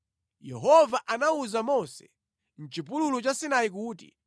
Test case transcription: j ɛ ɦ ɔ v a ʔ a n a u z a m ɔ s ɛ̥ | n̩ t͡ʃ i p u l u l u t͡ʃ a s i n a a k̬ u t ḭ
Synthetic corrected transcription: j ɛ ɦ ɔ v a ʔ a n a u z a m ɔ s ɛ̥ | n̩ t͡ʃ i p u l u l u t͡ʃ a s i n a i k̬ uː t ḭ

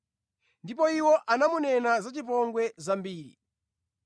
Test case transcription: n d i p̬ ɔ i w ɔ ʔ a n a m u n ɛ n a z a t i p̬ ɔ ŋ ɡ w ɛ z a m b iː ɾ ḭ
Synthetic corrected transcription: n d i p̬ ɔ i w ɔ ʔ a n a m u n ɛ n a z a t͡ʃ i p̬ ɔ ŋ ɡ w ɛ z a m b iː ɾ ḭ

